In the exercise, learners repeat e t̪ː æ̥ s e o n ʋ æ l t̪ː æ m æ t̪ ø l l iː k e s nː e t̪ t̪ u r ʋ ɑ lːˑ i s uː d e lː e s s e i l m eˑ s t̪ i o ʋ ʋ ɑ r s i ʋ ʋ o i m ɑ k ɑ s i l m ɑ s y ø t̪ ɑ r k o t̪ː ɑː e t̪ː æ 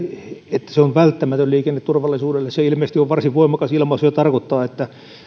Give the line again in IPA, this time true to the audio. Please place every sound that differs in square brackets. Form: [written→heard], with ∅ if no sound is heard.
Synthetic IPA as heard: e t̪ː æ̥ s e o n ʋ æ l t̪ː æ m æ t̪ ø l l iː k e [s→∅] nː e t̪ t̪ u r ʋ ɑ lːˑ i s uː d e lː e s s e i l m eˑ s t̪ i o ʋ ʋ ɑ r s i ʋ ʋ o i m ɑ k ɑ s i l m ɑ s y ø t̪ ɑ r k o t̪ː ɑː e t̪ː æ

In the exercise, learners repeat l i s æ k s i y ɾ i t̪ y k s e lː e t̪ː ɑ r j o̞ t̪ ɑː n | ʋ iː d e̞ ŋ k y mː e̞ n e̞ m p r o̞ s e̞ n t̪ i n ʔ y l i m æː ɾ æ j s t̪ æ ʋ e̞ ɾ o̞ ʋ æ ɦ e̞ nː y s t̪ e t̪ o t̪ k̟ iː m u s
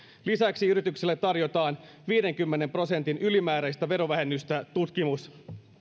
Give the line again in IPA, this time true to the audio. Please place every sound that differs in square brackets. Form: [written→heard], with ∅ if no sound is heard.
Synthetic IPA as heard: l i s æ k s i y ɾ i t̪ y k s e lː e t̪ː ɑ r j o̞ t̪ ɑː n | ʋ iː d e̞ ŋ k y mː e̞ n e̞ m p r o̞ s e̞ n t̪ i n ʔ y l i m æː ɾ æ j s t̪ æ ʋ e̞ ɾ o̞ ʋ æ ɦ e̞ nː y s t̪ [e→æ] t̪ [o→u] t̪ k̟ [iː→i] m u s

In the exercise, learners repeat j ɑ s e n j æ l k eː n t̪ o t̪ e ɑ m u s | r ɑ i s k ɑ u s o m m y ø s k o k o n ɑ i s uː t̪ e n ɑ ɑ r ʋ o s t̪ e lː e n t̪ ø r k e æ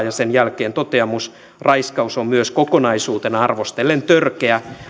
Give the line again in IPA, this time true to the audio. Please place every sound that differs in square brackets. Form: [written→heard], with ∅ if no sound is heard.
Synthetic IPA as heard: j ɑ s e n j æ l k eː n t̪ o t̪ e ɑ m u s | r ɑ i s k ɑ u s o m m y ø s k o k o n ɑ i s uː t̪ e n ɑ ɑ r ʋ o s t̪ e lː e n t̪ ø r k e æ

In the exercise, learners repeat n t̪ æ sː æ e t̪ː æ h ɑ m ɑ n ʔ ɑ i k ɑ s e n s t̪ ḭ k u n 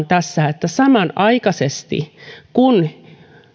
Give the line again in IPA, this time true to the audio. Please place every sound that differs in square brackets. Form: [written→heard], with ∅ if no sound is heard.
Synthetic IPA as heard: n t̪ æ sː æ e t̪ː æ [h→s] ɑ m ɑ n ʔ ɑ i k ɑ s e [n→∅] s t̪ ḭ k u n

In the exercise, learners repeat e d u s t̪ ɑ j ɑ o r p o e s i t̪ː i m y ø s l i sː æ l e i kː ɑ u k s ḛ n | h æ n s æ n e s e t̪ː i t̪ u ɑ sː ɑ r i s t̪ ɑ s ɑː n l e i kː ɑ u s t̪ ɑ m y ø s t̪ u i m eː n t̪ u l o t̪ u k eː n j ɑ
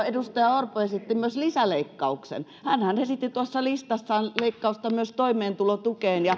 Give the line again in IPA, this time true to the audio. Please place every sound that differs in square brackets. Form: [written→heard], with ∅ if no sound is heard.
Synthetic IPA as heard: e d u s t̪ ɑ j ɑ o r p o e s i t̪ː i m y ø s l i [sː→s] æ l e i kː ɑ u k s ḛ n | h æ n [s→h] æ n e s [e→i] t̪ː i t̪ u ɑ sː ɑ [r→l] i s t̪ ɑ [s→sː] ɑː n l e i kː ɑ u s t̪ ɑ m y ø s t̪ [u→o] i m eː n t̪ u l o t̪ u k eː n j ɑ

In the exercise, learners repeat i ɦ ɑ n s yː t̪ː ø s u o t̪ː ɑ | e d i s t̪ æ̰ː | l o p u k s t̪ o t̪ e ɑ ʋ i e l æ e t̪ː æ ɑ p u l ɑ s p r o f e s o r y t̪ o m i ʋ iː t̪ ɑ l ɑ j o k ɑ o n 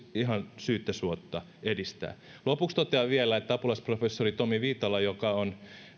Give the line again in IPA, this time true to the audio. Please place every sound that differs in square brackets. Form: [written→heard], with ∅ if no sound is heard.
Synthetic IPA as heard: i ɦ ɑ n s yː t̪ː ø s u o t̪ː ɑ | e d i s t̪ æ̰ː | l o p u k s t̪ o t̪ e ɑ ʋ i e l æ e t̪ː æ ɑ p u l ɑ s p r o f e [s→sː] o r [y→i] t̪ o m i ʋ iː t̪ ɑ l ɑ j o k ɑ o n

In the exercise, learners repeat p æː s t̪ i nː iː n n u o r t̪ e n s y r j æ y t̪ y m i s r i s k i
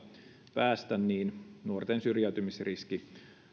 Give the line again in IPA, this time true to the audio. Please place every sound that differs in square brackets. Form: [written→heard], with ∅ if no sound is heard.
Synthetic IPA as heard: p æː s t̪ [i→æ] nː iː n n u o r t̪ e n s y r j æ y t̪ y m i s r i s k i

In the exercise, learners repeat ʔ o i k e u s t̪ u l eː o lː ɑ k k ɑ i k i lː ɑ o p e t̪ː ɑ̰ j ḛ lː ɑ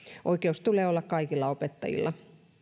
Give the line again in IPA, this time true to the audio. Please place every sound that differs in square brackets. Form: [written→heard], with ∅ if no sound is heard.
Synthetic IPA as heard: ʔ o i k e u s t̪ u l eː o lː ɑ k k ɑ i k i lː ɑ o p e t̪ː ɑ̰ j [ḛ→ḭ] lː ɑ

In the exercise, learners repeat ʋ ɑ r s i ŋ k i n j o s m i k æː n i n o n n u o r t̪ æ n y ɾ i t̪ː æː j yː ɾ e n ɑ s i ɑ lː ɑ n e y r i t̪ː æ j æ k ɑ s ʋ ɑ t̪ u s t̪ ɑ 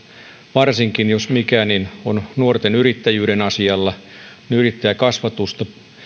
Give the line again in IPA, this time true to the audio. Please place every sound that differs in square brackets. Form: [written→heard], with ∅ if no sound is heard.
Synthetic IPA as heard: ʋ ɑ r s i ŋ k i n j o s m i k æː n i n o n n u o r t̪ [æ→e] n y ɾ i t̪ː [æː→æ] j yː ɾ e n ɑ s i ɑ lː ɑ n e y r i t̪ː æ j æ k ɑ s ʋ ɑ t̪ u s t̪ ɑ

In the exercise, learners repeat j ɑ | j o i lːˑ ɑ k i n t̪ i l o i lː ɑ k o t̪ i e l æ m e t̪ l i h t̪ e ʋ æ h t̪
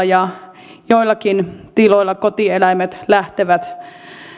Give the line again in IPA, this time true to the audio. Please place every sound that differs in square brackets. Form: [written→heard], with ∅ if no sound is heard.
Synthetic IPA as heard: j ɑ | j o i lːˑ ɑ k i n t̪ i l o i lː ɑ k o t̪ i e l æ m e t̪ l [i→æ] h t̪ e ʋ æ [h→∅] t̪

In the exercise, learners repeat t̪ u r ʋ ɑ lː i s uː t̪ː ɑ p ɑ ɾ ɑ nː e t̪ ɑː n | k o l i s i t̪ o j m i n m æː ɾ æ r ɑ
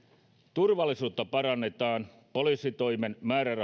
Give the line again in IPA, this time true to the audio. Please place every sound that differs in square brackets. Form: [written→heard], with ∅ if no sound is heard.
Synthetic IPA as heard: t̪ u r ʋ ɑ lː i s uː t̪ː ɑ p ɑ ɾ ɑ nː e t̪ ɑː n | [k→p] o l i s i t̪ o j m [i→e] n m æː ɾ æ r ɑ

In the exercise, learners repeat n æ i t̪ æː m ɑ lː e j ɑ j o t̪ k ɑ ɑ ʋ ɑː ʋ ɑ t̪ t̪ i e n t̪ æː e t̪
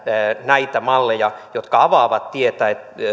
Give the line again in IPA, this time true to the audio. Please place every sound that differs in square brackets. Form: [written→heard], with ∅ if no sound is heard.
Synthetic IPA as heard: n æ i t̪ [æː→æ] m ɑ lː e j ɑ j o t̪ k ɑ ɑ ʋ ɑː ʋ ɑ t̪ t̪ i e [n→∅] t̪ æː e t̪

